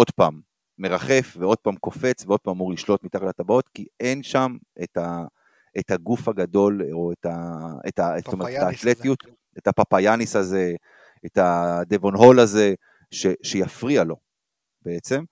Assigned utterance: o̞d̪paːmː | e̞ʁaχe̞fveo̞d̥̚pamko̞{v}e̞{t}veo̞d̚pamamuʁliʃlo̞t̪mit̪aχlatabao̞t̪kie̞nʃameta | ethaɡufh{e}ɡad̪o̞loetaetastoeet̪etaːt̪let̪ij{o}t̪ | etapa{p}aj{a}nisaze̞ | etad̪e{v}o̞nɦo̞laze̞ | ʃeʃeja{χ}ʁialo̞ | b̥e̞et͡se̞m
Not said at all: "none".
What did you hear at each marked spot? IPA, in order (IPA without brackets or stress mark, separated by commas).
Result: f, t͡s, a, u, p, a, v, f